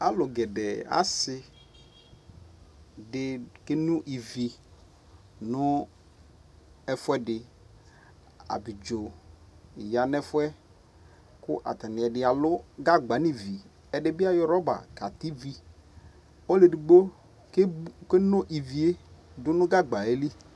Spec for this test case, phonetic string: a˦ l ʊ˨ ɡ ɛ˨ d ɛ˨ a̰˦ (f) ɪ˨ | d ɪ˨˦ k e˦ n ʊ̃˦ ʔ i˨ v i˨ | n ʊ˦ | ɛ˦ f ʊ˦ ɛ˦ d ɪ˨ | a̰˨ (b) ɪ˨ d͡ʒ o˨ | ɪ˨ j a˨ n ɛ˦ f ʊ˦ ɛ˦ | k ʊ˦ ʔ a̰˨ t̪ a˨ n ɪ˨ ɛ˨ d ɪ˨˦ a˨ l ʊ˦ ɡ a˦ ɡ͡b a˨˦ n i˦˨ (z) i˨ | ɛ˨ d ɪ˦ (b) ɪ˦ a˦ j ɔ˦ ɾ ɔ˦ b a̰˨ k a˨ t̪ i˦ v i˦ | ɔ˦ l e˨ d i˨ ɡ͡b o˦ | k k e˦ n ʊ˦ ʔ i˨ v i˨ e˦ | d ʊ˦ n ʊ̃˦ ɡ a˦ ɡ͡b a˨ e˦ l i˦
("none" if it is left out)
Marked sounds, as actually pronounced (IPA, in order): s, b, v, b

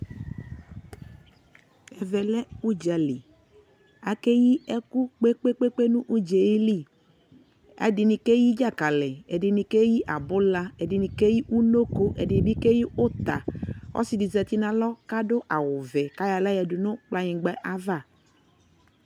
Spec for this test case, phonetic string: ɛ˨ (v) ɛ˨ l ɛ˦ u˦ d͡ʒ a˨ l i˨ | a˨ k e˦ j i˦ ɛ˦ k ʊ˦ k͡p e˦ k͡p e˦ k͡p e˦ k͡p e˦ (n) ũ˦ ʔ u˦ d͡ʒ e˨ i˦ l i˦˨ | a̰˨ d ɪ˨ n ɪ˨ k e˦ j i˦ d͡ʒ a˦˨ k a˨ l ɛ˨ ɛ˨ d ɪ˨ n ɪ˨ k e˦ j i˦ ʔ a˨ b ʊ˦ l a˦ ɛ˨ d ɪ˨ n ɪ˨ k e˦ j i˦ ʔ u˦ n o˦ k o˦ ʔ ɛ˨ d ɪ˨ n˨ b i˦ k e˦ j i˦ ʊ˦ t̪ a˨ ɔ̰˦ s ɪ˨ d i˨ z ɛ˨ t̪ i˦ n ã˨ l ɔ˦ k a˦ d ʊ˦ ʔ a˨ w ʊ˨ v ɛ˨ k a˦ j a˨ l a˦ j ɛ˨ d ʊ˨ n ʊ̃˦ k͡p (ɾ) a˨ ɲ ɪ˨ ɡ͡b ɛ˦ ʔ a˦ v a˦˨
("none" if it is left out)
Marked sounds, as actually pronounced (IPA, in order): v, n, l

